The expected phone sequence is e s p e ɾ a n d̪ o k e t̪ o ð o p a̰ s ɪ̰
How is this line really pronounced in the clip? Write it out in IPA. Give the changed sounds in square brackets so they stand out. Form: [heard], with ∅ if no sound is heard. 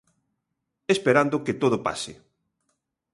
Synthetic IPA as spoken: e s p e ɾ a n d̪ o k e t̪ o ð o p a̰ s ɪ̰